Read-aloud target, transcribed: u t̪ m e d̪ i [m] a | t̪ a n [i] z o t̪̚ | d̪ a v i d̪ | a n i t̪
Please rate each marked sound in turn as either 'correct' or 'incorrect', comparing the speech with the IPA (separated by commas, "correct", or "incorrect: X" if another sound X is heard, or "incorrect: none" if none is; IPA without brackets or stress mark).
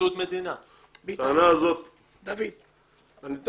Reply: incorrect: n, incorrect: a